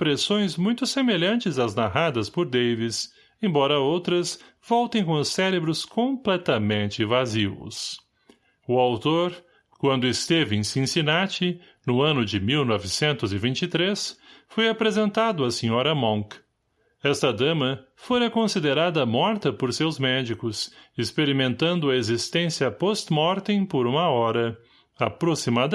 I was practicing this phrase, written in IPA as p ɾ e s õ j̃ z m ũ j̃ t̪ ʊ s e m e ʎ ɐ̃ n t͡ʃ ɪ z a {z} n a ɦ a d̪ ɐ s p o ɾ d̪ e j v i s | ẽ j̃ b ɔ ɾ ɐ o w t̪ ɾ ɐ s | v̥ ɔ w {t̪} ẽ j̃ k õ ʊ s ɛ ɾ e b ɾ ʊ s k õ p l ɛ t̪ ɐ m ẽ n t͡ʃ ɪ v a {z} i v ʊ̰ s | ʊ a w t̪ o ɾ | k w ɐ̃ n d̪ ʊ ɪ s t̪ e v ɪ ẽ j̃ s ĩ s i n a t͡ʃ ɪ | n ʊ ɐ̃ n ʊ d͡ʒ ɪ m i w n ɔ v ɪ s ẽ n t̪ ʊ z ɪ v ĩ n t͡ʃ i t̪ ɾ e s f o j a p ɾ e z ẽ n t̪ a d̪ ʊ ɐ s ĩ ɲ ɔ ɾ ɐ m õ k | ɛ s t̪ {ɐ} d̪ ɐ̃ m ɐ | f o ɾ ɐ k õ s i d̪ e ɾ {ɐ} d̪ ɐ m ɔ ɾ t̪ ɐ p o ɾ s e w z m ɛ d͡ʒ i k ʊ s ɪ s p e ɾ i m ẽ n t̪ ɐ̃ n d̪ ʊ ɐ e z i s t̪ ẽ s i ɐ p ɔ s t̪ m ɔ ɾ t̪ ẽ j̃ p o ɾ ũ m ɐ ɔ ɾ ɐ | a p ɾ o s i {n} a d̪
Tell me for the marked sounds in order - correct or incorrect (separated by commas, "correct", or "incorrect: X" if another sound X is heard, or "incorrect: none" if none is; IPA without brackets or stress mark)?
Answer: correct, correct, correct, correct, incorrect: a, incorrect: m